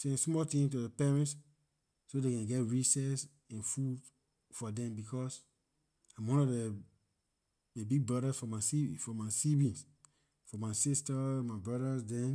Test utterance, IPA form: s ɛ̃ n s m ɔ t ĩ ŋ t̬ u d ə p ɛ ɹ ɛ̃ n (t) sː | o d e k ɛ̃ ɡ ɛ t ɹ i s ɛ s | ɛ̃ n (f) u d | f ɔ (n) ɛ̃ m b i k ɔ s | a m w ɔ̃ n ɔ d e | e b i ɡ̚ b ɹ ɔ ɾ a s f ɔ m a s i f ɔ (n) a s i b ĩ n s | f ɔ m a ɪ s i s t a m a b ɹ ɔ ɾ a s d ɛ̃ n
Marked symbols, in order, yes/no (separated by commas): yes, yes, no, no